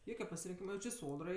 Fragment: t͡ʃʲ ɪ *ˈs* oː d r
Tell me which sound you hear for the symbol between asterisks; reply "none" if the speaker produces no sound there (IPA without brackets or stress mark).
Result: s